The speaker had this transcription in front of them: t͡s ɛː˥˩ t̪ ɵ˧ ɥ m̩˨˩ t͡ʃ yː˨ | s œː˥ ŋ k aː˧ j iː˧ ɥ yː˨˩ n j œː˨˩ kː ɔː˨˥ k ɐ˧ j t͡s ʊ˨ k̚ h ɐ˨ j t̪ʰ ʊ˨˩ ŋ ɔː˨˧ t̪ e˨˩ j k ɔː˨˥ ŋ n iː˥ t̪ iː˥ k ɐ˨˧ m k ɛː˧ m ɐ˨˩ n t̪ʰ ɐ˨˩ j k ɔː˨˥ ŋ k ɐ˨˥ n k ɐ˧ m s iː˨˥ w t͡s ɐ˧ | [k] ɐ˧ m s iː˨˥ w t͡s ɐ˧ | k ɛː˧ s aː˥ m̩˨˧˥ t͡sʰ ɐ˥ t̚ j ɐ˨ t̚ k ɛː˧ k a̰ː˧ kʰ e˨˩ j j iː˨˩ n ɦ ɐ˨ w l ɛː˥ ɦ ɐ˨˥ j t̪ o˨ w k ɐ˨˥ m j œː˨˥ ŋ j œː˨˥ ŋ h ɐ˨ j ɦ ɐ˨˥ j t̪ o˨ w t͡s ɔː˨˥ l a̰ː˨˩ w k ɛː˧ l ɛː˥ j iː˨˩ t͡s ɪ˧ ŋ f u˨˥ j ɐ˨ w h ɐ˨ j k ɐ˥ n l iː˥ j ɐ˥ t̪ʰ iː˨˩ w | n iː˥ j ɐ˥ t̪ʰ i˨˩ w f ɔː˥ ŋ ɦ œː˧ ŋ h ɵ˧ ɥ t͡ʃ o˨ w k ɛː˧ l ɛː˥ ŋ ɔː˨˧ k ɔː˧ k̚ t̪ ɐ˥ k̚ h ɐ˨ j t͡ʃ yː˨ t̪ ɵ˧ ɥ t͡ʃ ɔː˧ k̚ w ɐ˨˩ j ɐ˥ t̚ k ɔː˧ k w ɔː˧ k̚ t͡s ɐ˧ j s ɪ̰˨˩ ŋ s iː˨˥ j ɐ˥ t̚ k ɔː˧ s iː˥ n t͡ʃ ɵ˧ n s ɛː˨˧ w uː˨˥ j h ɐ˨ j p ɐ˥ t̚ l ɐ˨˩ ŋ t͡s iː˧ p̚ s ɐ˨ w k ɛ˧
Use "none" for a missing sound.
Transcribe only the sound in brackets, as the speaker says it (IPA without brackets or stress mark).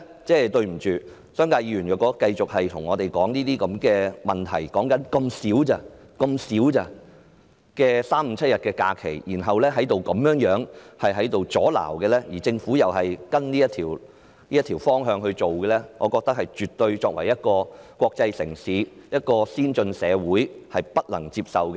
k